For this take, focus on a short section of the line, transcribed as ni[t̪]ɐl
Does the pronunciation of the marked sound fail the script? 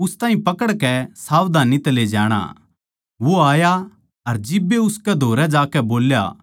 no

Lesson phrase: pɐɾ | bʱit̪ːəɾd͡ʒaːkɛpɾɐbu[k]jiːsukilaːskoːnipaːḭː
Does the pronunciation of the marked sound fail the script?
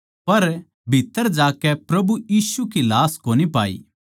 yes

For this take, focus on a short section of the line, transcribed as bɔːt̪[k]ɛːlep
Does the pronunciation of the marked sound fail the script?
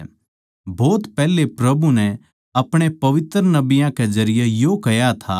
yes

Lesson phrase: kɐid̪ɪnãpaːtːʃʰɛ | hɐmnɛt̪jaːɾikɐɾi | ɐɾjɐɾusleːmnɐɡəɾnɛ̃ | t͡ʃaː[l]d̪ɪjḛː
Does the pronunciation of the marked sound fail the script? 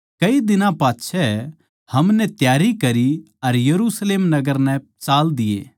no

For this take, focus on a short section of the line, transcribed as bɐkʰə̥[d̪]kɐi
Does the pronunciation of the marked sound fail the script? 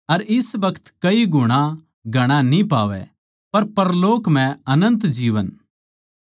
yes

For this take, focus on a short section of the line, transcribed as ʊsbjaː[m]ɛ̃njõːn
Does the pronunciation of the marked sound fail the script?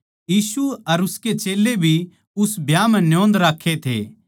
no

